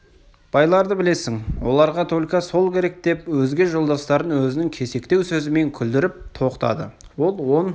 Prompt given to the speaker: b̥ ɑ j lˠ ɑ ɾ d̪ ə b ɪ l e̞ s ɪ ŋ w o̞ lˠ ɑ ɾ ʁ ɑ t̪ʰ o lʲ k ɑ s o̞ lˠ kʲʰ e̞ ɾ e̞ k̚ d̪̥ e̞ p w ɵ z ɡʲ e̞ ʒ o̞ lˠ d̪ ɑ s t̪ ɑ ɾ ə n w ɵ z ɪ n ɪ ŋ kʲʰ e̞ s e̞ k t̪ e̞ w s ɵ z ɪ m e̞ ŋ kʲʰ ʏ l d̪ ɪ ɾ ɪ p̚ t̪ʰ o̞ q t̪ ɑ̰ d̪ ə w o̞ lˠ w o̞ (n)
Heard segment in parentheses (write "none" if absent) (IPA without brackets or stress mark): n